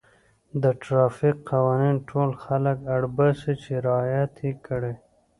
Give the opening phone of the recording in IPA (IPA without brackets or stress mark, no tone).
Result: d̪